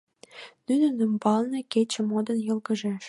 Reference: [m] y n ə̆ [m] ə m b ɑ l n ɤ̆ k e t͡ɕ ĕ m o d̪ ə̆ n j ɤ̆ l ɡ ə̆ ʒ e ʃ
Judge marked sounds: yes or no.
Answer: no, no

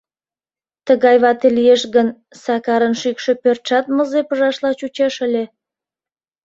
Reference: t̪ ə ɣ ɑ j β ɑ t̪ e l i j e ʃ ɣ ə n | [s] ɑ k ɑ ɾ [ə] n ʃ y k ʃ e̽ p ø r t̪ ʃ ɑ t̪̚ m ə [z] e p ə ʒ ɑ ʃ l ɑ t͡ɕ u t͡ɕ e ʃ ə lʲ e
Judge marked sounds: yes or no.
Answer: yes, yes, yes

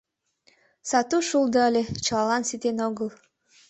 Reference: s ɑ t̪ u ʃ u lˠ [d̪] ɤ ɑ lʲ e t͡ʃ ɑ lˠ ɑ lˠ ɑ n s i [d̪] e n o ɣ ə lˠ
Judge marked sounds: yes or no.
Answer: yes, no

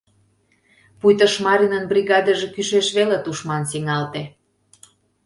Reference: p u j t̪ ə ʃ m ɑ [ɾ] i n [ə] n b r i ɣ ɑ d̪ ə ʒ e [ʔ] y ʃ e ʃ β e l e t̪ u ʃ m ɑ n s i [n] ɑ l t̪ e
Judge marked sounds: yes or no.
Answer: yes, yes, no, no

